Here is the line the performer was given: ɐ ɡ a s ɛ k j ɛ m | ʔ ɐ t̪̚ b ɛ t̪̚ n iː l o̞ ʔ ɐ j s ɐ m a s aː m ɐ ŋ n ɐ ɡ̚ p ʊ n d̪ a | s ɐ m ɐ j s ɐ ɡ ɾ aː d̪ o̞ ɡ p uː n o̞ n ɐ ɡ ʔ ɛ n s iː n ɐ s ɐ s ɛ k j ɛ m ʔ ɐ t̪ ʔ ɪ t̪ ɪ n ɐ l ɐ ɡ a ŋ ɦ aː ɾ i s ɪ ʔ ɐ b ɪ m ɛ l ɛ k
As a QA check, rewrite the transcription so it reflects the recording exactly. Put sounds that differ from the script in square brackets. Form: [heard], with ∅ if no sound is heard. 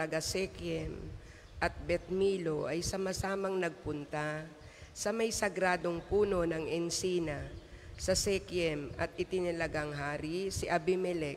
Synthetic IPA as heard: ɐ ɡ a s ɛ k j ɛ m | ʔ ɐ t̪̚ b ɛ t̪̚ [m] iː l o̞ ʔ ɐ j s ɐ m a s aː m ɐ ŋ n ɐ ɡ̚ p ʊ n [t̪] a | s ɐ m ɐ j s ɐ ɡ ɾ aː d̪ o̞ [ŋ] p uː n o̞ n ɐ [ŋ] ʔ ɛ n s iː n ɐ s ɐ s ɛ k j ɛ m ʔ ɐ t̪ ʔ ɪ t̪ ɪ n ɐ l ɐ ɡ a ŋ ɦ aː ɾ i s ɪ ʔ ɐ b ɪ m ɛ l ɛ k